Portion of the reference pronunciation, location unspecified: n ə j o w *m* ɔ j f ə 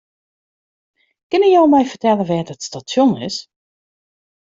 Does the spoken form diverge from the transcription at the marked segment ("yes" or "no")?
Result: no